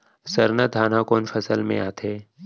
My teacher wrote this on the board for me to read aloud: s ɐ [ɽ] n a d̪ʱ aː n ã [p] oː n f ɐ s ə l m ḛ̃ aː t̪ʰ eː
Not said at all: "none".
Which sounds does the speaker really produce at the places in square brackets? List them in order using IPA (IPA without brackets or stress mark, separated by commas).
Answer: ɾ, k